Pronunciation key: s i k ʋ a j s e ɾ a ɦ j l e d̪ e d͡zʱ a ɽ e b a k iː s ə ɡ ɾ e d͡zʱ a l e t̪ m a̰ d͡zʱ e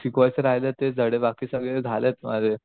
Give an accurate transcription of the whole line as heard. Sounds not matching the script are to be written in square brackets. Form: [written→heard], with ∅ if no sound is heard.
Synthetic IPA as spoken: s i k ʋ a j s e ɾ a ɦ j l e [d̪→t̪] e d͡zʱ [a→ə] ɽ e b a k iː s ə ɡ [ɾ→ɭ] e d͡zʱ a l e t̪ m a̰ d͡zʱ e

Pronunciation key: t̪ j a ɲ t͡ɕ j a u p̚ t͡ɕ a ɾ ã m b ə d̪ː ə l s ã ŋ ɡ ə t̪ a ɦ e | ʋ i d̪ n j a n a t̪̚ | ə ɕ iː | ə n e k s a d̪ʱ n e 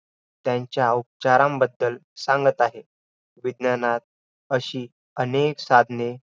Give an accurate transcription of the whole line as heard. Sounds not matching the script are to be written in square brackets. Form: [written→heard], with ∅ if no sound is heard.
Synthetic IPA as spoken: t̪ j a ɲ t͡ɕ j a u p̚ t͡ɕ a ɾ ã m b ə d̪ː ə l s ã ŋ ɡ ə t̪ a ɦ e | ʋ i d̪ n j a n a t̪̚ | ə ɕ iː | ə n e k s a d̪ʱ n e

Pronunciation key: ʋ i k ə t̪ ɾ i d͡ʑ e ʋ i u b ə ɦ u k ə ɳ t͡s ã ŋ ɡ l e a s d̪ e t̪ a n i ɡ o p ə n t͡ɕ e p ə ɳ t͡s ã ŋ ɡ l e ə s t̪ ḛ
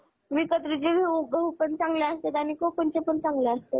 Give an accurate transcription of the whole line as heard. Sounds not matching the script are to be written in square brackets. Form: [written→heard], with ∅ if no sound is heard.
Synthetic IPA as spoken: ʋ i k ə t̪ ɾ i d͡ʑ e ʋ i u b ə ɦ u [k→p] ə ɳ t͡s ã ŋ ɡ l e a s [d̪→t̪] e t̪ a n i [ɡ→k] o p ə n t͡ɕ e p ə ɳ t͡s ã ŋ ɡ l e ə s t̪ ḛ

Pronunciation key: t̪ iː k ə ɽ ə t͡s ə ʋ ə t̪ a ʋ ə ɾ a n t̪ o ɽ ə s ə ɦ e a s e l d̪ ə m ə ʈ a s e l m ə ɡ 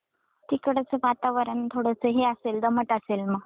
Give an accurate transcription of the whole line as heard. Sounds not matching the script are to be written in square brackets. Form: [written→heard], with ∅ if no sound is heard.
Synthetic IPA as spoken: t̪ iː k ə ɽ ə t͡s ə ʋ [ə→a] t̪ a ʋ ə ɾ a n [t̪→t̪ʰ] o ɽ ə s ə ɦ e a s e l d̪ ə m ə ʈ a s e l m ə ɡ

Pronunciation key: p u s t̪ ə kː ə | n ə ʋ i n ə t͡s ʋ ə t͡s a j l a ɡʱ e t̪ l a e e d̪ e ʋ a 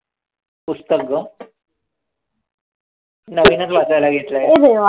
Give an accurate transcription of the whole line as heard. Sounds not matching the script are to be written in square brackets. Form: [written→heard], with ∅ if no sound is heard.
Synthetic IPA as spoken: p u s t̪ ə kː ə | n ə ʋ i n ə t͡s ʋ [ə→a] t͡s a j l a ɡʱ e t̪ l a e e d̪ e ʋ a

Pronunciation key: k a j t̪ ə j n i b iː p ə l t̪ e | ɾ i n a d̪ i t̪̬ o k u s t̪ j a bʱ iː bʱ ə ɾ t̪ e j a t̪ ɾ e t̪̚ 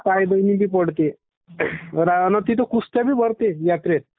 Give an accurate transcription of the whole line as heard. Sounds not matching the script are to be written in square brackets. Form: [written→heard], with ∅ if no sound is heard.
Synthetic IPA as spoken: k a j [t̪→d̪] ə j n i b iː p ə [l→ɽ] t̪ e | ɾ [i→a] n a [d̪→t̪] i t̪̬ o k u s t̪ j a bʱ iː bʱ ə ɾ t̪ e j a t̪ ɾ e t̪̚

